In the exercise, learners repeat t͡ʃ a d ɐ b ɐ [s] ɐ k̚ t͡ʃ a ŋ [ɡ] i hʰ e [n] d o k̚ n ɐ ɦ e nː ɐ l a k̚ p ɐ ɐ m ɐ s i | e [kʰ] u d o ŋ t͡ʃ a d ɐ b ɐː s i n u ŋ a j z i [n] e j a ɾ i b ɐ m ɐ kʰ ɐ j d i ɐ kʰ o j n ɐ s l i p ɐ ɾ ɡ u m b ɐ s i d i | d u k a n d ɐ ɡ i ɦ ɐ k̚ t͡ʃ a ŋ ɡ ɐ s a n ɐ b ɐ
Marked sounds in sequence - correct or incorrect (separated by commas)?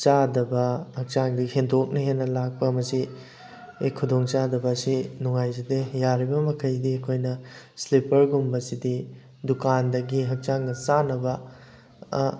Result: incorrect, incorrect, correct, correct, incorrect